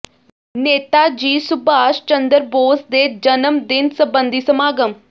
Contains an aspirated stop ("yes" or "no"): no